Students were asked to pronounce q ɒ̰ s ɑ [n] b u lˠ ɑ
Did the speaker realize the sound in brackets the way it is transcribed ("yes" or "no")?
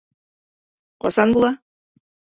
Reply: yes